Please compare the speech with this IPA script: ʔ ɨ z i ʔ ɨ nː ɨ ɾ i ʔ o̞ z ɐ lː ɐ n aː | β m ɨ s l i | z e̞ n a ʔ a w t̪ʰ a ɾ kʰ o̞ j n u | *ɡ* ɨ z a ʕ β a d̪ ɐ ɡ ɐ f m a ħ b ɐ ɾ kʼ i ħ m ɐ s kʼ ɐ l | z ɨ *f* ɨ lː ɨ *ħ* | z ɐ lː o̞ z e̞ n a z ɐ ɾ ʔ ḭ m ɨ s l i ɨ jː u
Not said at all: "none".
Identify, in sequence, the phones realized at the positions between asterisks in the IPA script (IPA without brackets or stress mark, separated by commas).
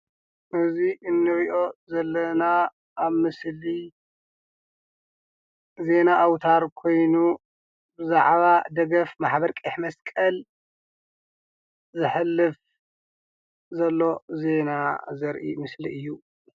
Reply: b, ħ, f